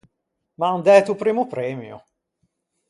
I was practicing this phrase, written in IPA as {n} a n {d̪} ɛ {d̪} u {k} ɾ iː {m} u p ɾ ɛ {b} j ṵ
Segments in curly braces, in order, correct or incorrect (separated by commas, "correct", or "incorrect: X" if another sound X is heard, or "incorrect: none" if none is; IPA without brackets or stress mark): incorrect: m, correct, incorrect: t̪, incorrect: p, correct, incorrect: m